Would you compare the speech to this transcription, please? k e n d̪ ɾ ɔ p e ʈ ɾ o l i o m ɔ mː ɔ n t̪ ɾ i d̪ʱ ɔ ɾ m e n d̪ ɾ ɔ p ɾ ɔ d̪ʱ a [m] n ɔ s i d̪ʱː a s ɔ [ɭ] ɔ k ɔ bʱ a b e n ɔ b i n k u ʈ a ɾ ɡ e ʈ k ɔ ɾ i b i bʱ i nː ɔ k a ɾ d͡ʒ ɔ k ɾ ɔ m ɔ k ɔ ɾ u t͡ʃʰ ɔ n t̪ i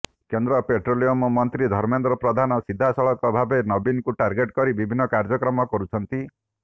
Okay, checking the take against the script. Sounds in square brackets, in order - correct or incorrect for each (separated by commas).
incorrect, correct